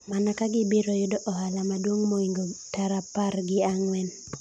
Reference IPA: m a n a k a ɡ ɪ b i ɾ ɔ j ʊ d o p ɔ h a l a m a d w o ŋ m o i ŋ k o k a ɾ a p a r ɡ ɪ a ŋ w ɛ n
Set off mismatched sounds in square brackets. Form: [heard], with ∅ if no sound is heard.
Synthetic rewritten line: m a n a k a ɡ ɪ b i ɾ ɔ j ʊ d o [ʔ] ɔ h a l a m a d w o ŋ m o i ŋ [ɡ] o [t] a ɾ a p a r ɡ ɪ a ŋ w ɛ n

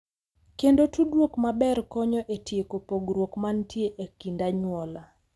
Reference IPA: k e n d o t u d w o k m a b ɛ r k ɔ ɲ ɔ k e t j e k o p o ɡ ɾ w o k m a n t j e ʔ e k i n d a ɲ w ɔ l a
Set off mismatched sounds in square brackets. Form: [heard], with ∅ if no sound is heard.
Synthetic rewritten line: k e n d o t u d w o k m a b ɛ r k ɔ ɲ ɔ [ʔ] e t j e k o p o ɡ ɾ w o k m a n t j e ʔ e k i n d a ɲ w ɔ l a

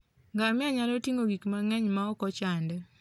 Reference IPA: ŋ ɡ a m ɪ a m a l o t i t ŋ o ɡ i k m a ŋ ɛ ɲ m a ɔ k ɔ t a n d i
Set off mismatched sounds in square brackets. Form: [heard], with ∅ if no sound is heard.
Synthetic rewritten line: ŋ ɡ a m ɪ a [ɲ] a l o t i [∅] ŋ o ɡ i k m a ŋ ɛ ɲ m a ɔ k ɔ [t͡ʃ] a n d [ɛ]

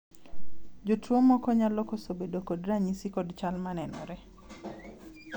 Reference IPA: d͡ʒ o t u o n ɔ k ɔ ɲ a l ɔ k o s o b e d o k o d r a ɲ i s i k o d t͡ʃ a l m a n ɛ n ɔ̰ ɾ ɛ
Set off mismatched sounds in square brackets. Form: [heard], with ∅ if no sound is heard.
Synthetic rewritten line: d͡ʒ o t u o [m] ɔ k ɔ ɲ a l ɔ k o s o b e d o k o d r a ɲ i s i k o d t͡ʃ a l m a n ɛ n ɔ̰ ɾ ɛ

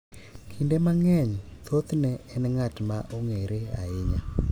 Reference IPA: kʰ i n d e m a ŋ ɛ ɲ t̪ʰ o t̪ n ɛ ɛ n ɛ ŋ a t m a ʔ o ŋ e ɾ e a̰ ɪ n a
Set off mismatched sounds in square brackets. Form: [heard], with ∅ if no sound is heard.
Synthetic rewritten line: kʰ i n d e m a ŋ ɛ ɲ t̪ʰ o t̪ n ɛ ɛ n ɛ ŋ a t m a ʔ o ŋ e ɾ e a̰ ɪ [ɲ] a

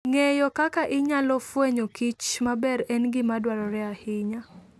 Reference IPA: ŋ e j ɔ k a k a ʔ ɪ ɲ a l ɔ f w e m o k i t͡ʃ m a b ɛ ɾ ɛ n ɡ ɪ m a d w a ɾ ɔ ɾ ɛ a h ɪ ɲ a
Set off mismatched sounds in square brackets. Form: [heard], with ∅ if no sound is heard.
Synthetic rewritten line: ŋ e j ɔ k a k a ʔ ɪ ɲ a l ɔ f w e [ɲ] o k i t͡ʃ m a b ɛ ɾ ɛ n ɡ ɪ m a d w a ɾ ɔ ɾ ɛ a h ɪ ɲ a

